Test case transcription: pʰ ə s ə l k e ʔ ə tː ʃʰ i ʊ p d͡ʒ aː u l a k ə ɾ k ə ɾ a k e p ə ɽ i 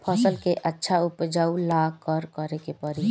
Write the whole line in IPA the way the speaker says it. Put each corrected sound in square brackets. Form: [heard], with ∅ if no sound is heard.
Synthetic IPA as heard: pʰ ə s ə l k e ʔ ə tː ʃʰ [a] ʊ p d͡ʒ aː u l a k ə ɾ k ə ɾ [e] k e p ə [ɾ] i